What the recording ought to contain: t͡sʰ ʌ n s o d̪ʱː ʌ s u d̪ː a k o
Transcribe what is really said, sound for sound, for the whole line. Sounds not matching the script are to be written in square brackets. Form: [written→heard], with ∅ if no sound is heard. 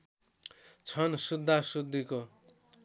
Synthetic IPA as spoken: t͡sʰ ʌ n s [o→u] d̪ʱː [ʌ→a] s u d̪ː [a→i] k o